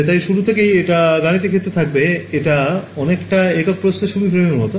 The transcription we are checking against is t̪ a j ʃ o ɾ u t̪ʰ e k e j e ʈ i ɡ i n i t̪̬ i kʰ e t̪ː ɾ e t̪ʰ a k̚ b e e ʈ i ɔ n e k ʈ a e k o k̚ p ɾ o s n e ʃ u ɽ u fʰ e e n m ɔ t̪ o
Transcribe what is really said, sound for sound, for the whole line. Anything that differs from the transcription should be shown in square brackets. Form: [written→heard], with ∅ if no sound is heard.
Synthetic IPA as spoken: t̪ a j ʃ [o→u] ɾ u t̪ʰ e k e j e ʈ [i→a] ɡ [i→a] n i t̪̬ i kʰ e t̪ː ɾ e t̪ʰ a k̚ b e e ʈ [i→a] ɔ n e k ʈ a e k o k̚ p ɾ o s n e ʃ u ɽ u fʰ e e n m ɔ t̪ o